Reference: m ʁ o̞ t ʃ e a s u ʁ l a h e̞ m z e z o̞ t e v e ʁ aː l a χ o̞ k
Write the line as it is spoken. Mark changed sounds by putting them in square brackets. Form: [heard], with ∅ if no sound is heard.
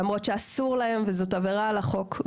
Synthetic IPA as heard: m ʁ o̞ t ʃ e a s u ʁ l a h e̞ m [v] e z o̞ t [a] v e ʁ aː l a χ o̞ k